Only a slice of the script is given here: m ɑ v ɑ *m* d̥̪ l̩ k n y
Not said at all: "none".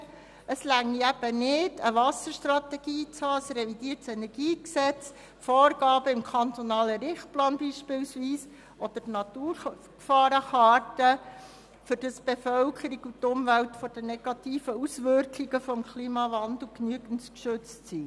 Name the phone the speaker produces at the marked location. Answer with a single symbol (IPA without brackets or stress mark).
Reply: n